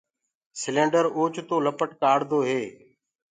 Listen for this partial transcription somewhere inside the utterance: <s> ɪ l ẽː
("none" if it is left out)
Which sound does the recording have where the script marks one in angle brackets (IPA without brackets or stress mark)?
s